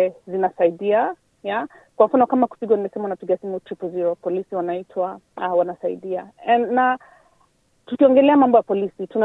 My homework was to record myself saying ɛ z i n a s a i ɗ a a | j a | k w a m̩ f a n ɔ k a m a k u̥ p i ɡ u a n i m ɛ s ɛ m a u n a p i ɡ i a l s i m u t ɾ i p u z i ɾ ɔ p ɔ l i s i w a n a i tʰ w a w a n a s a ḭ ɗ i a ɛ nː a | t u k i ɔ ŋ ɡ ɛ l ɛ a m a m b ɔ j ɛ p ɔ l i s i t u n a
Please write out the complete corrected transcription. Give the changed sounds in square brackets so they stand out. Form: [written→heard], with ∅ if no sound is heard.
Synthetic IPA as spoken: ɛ z i n a s a i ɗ [a→i] a | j a | k w a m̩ f a n ɔ k a m a k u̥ p i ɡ [u→w] a n i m ɛ s ɛ m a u n a p i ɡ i a [l→∅] s i m u t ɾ i p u z i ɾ ɔ p ɔ l i s i w a n a i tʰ w a w a n a s a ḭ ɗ i a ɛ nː a | t u k i ɔ ŋ ɡ ɛ l ɛ a m a m b ɔ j [ɛ→a] p ɔ l i s i t u n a